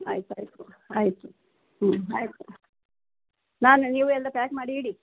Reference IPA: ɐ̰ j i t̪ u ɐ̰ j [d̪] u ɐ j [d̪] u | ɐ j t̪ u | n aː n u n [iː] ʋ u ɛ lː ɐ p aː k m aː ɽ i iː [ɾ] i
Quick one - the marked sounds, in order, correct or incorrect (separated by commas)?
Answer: incorrect, incorrect, correct, incorrect